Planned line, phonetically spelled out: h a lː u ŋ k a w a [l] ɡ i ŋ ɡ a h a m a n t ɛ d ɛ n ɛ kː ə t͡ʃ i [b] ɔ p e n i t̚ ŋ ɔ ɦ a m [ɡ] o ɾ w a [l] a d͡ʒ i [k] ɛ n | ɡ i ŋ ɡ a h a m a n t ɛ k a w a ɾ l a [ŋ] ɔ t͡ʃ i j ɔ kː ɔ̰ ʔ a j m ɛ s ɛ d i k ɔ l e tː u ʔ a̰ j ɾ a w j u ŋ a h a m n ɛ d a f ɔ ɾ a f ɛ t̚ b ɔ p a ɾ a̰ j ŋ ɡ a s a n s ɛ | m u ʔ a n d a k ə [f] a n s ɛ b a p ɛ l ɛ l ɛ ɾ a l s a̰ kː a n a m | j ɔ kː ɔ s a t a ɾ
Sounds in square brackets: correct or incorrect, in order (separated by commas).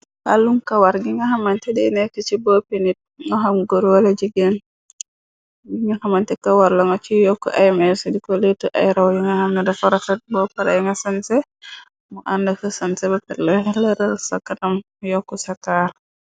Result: incorrect, correct, correct, correct, incorrect, correct, incorrect